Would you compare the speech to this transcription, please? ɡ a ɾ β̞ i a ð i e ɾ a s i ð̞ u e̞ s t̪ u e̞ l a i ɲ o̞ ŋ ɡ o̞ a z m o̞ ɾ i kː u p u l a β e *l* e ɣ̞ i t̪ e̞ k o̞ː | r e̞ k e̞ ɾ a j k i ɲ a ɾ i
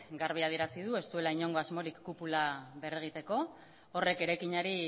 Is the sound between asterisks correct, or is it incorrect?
incorrect